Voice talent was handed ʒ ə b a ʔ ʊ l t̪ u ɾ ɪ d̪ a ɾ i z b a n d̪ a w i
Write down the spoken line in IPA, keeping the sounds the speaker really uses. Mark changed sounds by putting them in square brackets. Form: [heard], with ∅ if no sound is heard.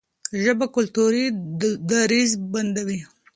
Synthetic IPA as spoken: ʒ ə b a [k] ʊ l t̪ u ɾ [i] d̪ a ɾ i z b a n d̪ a w i